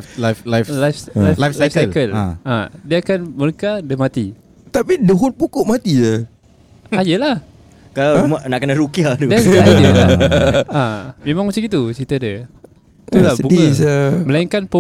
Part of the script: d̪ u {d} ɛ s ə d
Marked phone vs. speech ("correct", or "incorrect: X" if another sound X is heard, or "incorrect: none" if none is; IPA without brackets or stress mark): correct